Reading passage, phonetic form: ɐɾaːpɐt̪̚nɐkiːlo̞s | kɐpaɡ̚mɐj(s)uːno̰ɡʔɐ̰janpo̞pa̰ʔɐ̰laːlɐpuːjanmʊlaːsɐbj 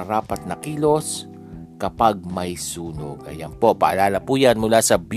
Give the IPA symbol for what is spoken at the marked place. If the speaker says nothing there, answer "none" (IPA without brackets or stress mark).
s